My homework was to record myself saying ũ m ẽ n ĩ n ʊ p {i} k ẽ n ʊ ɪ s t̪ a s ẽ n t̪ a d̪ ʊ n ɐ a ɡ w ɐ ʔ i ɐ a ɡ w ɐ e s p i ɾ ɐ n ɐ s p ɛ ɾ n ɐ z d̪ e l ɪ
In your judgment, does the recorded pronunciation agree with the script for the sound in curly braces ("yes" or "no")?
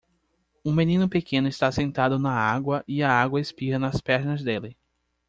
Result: no